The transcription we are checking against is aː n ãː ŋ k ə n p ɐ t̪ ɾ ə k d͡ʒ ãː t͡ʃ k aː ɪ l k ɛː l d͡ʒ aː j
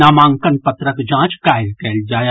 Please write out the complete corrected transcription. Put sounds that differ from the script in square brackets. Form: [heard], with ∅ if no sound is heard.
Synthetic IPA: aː [m] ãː ŋ k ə n p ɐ t̪ ɾ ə k d͡ʒ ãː t͡ʃ k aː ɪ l k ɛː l d͡ʒ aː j